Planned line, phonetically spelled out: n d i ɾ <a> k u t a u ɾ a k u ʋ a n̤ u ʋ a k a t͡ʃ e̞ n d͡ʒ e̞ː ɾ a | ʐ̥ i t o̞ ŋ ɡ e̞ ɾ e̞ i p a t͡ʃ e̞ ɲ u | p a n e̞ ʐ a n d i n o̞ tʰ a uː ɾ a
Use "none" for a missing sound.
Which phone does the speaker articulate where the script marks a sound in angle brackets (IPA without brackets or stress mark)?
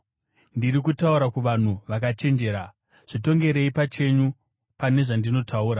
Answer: i